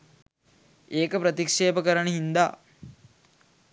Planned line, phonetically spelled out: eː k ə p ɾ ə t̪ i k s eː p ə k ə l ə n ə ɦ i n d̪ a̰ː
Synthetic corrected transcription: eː k ə p ɾ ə t̪ i k ʂ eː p ə k ə ɾ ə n ə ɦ i n d̪ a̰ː